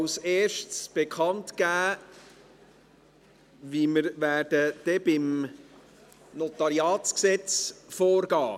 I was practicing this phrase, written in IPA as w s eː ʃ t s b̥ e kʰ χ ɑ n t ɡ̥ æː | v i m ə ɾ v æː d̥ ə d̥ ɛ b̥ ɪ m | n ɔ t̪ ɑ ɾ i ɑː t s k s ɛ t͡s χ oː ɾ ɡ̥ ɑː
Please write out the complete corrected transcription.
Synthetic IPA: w s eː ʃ t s b̥ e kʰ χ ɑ n t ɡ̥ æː | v i m ə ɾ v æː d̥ ə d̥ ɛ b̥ ɪ m | n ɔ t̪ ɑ ɾ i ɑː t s k s ɛ t͡s f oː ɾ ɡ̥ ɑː